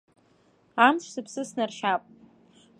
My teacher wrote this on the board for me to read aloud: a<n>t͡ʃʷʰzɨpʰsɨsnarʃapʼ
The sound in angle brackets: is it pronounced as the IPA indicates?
no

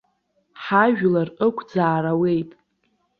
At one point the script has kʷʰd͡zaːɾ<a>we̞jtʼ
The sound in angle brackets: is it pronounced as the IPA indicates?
yes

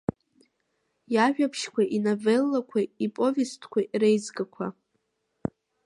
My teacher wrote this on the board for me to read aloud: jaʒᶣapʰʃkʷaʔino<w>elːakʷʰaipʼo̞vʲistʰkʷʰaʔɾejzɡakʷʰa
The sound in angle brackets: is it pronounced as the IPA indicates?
no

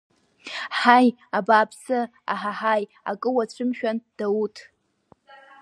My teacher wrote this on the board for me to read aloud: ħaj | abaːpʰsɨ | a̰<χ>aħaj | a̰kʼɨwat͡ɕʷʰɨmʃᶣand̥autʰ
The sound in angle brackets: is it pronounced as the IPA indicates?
no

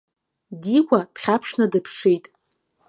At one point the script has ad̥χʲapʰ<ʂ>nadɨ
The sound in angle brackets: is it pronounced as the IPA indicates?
yes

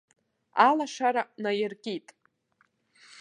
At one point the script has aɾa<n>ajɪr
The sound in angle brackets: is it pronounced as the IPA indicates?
yes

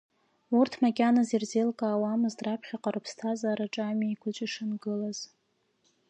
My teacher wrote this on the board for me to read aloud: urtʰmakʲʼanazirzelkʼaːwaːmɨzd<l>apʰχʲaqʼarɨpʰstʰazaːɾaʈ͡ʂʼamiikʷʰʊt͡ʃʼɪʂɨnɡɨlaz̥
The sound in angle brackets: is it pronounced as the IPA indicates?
no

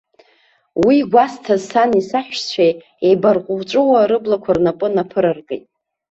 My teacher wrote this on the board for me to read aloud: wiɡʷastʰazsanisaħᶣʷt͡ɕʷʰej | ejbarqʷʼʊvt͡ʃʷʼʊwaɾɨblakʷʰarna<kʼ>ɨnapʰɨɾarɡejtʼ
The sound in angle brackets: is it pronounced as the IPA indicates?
no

